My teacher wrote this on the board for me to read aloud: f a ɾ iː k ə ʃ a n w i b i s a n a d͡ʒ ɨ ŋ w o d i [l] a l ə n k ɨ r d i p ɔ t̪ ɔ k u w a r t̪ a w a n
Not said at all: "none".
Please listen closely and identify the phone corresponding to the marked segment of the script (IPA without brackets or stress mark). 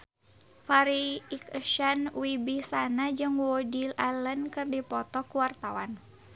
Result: l